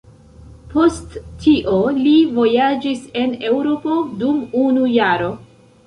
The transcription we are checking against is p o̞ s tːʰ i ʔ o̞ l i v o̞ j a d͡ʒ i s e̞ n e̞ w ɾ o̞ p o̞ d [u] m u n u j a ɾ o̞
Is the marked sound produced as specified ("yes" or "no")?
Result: yes